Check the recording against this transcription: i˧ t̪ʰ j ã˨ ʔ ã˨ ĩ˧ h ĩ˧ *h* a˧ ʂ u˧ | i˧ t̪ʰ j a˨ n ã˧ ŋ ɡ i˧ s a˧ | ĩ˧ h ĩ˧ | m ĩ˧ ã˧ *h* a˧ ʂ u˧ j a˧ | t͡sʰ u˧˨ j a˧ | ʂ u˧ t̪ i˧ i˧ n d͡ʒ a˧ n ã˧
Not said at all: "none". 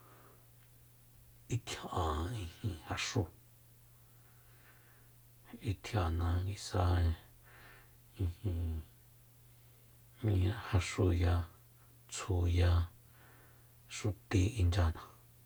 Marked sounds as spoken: h, h

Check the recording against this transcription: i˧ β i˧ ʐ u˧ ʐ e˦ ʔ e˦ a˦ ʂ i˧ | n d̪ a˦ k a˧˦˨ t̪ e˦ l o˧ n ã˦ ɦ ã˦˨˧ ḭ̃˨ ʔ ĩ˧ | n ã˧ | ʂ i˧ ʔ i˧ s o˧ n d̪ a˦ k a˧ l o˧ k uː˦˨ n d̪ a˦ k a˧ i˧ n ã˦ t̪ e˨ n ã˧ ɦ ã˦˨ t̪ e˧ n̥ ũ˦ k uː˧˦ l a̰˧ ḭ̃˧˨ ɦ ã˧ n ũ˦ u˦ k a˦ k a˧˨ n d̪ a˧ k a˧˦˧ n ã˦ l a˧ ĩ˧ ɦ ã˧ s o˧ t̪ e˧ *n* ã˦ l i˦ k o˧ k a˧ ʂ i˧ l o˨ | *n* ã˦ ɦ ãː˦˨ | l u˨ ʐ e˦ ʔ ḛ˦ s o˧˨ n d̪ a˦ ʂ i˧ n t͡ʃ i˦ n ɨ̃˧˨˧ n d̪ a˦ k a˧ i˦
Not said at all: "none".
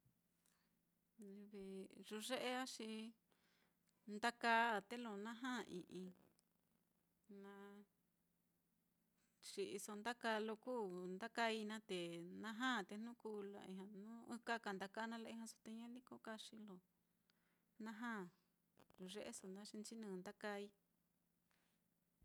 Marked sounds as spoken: ɲ, n

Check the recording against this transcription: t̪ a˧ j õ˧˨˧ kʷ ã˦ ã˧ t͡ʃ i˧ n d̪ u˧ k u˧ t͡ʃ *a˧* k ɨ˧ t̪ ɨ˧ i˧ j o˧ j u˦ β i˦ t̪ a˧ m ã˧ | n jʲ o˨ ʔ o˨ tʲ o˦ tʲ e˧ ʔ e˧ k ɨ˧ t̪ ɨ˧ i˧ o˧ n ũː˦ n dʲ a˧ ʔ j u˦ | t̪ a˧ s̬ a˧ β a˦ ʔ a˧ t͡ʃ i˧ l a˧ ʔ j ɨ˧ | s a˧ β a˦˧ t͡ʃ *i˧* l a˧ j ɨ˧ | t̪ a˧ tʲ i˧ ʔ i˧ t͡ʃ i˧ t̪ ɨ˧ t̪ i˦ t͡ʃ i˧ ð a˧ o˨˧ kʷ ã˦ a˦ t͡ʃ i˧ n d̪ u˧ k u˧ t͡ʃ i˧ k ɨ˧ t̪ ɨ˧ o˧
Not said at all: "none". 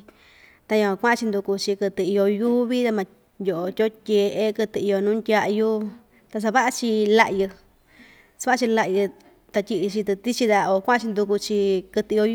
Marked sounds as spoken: i˧, i˧

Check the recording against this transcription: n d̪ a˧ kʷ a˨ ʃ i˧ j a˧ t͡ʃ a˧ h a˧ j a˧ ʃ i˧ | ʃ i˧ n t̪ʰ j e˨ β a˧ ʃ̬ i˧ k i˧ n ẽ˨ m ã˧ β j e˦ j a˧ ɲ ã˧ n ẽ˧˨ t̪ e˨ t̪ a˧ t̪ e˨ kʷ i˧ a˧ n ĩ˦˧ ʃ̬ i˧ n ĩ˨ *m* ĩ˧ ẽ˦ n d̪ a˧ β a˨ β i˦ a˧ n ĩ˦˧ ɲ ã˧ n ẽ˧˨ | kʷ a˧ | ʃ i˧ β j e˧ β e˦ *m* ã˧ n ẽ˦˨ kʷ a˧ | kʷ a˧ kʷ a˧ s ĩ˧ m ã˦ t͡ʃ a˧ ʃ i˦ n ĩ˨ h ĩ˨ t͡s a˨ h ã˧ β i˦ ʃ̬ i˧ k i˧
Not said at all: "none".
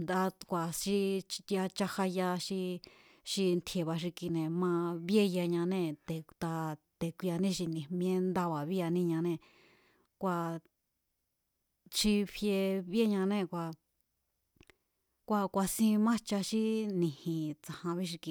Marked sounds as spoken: m, ɲ

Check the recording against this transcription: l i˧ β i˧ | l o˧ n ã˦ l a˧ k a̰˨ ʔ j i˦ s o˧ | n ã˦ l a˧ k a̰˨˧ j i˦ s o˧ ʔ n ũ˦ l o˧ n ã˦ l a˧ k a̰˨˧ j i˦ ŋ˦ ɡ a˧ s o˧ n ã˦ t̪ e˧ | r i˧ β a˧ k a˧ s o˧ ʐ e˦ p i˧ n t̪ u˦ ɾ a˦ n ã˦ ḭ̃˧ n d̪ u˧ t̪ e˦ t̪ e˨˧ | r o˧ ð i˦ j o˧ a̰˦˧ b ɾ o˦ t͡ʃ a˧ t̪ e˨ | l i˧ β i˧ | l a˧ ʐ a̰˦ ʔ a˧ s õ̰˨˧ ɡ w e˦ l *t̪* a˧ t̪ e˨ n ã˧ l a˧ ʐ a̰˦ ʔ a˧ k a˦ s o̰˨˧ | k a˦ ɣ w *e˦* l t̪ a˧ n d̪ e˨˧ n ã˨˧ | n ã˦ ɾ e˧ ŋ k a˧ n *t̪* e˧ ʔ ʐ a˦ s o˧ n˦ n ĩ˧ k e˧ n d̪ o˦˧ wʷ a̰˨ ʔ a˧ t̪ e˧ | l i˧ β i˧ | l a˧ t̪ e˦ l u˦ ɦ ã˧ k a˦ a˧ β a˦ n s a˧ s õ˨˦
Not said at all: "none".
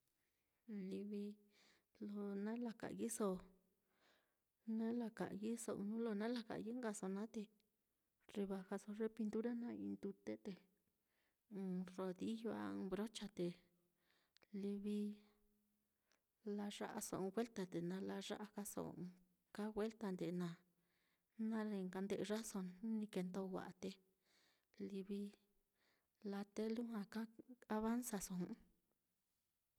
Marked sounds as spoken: t̪, e˦, d̪

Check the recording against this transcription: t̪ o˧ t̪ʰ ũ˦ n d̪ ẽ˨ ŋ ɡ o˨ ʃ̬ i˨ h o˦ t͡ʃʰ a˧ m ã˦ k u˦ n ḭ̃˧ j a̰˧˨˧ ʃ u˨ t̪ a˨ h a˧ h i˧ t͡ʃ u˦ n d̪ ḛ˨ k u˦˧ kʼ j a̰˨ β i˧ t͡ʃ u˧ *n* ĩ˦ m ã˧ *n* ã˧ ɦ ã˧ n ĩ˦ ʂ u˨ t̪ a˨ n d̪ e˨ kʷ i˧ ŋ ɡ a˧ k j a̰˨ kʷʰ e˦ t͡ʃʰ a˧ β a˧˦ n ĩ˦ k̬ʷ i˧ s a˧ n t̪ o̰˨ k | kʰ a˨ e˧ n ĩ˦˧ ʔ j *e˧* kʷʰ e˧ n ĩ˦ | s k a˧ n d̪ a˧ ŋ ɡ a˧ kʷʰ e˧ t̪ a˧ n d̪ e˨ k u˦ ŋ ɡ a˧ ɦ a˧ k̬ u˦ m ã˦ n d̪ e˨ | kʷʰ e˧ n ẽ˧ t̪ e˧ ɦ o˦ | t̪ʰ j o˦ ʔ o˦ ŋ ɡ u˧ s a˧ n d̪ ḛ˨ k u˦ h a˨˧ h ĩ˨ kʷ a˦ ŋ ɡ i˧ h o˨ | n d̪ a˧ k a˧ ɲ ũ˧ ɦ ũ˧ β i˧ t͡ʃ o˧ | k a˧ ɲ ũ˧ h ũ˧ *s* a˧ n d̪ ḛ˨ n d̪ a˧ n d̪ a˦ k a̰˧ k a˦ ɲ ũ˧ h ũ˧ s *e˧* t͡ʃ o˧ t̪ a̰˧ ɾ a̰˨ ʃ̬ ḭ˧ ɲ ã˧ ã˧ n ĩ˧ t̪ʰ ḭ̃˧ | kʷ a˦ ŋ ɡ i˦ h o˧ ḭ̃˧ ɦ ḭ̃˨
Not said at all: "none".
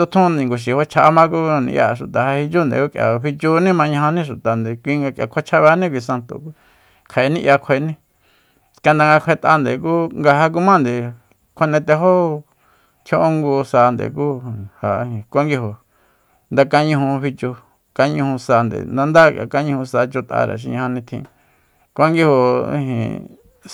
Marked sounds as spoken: n, ɲ, a˧, s, a˧

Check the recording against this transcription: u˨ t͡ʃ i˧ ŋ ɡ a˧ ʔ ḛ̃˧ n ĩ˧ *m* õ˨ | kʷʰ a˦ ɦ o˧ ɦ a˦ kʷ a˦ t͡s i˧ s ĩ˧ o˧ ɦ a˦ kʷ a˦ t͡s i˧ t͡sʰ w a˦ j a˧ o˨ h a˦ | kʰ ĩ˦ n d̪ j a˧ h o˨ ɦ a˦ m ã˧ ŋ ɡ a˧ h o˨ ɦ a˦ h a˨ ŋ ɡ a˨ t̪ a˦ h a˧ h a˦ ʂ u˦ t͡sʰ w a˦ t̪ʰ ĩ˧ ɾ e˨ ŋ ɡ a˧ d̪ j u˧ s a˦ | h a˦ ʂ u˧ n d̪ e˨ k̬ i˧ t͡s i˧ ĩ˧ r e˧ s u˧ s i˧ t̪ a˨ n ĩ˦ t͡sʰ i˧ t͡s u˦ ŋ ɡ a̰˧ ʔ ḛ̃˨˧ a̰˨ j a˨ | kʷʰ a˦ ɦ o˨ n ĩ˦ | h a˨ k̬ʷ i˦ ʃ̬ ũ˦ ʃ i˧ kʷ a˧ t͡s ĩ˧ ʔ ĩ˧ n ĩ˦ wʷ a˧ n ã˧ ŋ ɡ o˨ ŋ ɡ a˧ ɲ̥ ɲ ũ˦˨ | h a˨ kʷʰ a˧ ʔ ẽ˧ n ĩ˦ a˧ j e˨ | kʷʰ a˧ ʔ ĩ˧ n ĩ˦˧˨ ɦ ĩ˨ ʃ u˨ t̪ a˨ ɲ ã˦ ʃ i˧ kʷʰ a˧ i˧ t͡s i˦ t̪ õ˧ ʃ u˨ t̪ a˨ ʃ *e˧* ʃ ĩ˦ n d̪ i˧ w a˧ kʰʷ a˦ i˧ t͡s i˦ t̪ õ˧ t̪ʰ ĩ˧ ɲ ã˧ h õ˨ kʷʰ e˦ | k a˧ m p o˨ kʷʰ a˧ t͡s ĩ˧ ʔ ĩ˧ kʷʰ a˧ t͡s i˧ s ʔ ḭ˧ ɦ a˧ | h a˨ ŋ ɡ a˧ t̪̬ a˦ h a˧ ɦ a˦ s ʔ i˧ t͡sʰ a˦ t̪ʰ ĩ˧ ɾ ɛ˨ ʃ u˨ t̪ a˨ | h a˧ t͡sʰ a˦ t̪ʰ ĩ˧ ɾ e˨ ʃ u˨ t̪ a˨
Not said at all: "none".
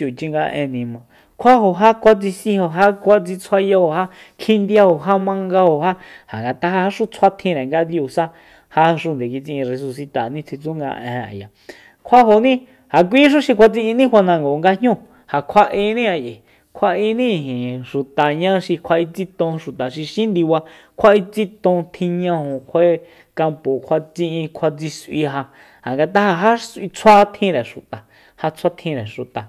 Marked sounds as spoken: m, i˧

